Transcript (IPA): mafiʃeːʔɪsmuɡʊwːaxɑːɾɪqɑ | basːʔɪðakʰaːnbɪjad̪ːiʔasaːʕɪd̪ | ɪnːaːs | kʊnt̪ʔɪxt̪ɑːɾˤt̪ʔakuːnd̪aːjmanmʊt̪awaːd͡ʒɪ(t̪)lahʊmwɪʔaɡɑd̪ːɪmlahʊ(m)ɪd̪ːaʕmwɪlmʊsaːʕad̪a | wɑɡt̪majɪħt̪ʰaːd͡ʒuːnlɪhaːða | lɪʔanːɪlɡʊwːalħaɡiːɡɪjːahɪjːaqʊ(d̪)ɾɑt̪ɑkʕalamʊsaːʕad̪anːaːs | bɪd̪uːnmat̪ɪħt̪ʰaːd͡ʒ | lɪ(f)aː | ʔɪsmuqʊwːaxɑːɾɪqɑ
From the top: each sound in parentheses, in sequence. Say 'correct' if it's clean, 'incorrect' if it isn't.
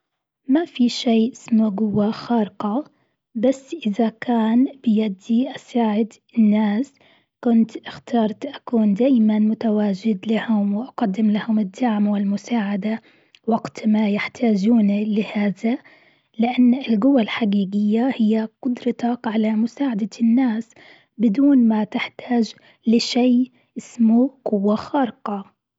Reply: incorrect, correct, correct, incorrect

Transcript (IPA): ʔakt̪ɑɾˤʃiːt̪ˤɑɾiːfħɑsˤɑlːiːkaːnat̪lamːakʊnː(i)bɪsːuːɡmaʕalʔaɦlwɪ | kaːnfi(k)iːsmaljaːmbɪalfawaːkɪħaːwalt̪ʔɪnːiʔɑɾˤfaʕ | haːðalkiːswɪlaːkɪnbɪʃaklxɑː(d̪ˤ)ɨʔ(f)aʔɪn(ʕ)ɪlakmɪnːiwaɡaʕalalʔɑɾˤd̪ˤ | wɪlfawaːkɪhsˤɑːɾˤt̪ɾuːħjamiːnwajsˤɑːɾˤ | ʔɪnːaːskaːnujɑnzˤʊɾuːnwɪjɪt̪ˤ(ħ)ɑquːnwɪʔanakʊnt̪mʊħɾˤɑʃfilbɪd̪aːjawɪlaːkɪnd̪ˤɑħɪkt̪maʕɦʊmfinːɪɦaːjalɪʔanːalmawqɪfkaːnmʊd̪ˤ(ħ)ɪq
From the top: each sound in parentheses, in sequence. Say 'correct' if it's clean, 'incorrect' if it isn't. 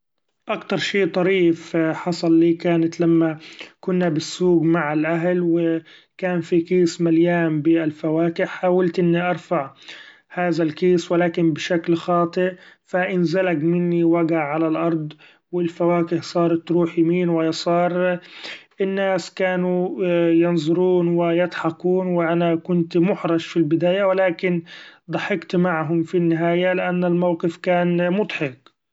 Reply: incorrect, correct, incorrect, correct, incorrect, correct, correct

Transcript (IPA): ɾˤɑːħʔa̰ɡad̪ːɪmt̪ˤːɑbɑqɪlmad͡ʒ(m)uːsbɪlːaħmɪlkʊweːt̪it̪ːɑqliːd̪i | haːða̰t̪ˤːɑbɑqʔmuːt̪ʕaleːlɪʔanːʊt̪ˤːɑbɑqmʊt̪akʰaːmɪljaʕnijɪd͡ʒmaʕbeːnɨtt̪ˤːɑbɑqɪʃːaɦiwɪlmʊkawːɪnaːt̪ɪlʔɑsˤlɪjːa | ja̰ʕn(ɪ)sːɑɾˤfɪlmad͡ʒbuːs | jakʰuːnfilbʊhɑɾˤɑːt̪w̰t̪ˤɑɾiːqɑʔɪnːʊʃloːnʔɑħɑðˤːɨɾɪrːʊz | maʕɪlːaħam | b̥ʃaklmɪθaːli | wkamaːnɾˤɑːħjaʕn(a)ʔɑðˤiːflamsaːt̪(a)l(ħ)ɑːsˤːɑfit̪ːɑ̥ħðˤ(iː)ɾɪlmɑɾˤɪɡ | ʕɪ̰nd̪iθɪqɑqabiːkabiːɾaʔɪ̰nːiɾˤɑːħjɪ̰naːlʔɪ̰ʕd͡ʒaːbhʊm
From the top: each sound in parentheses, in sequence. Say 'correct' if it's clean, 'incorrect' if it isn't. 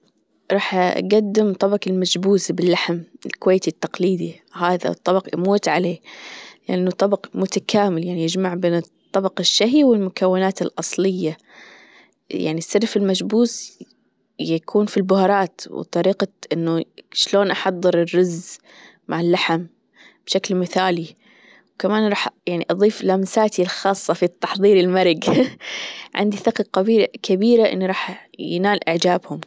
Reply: incorrect, incorrect, incorrect, incorrect, incorrect, correct

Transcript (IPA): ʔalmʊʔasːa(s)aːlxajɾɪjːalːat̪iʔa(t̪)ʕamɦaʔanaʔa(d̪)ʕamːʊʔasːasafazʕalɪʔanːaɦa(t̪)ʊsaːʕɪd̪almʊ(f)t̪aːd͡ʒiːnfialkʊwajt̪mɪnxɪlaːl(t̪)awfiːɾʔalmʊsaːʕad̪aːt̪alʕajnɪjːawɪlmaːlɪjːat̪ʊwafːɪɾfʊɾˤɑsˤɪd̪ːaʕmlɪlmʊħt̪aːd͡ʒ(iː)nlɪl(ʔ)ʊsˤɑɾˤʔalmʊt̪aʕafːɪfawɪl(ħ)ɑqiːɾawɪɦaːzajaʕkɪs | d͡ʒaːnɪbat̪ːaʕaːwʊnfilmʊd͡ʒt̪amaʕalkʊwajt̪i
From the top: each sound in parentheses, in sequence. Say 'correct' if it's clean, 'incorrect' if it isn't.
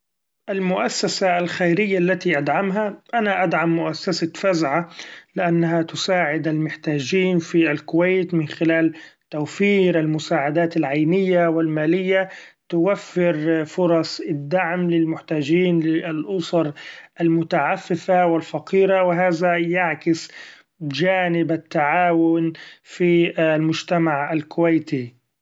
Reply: correct, incorrect, correct, correct, incorrect, correct, correct, correct, incorrect

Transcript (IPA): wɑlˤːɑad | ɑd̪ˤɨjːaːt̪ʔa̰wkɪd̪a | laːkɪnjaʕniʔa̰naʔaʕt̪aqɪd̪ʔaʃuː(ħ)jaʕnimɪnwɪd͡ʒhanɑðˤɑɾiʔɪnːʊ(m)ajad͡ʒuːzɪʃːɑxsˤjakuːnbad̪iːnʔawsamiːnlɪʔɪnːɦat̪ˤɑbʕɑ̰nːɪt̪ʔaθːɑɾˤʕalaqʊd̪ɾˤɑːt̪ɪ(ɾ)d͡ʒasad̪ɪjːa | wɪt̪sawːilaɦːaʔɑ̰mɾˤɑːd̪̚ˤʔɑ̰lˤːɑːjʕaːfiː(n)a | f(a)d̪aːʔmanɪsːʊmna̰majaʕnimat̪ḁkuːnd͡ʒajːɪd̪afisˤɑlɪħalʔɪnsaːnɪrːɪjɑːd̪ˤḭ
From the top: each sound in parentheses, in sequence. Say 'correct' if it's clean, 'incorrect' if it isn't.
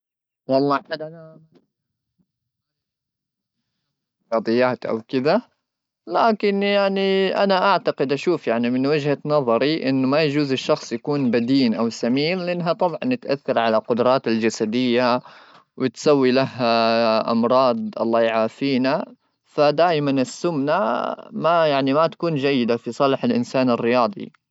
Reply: incorrect, correct, incorrect, correct, correct

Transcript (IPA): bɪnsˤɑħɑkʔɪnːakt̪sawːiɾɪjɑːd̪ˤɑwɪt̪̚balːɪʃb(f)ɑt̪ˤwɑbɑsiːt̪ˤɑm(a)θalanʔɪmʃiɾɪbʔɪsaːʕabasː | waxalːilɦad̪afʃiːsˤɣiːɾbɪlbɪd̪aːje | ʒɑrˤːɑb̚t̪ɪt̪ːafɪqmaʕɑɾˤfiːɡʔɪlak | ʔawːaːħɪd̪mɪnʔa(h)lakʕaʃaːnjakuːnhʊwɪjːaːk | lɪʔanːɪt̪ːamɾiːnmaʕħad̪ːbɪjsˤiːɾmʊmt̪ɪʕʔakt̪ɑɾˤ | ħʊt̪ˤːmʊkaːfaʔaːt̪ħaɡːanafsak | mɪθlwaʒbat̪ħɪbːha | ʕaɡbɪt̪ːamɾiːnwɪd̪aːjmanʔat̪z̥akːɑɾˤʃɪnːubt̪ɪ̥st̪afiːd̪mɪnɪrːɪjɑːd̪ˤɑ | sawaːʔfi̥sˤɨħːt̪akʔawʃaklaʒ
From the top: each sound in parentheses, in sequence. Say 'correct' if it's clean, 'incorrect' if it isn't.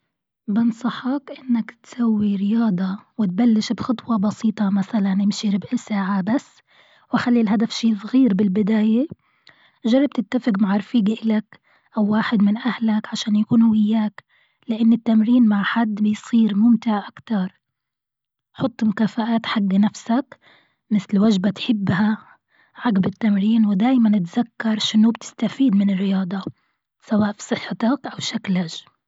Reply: incorrect, correct, correct

